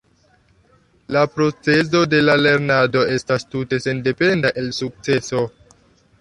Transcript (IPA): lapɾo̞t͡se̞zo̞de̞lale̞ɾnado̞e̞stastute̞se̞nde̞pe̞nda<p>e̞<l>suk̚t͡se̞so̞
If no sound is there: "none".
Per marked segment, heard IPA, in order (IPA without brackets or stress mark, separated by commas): ʔ, l